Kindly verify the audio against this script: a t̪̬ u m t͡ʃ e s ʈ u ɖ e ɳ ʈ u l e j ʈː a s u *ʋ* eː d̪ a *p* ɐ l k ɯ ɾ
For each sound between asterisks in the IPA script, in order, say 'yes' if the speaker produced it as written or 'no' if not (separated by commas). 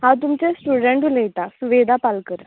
yes, yes